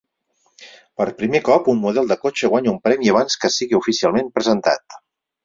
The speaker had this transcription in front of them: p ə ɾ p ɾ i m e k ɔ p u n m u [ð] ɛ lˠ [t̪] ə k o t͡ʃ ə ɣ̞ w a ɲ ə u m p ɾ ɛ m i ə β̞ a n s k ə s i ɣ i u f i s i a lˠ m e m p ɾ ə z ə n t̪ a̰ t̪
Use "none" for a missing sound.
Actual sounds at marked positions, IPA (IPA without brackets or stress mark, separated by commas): ð, d̪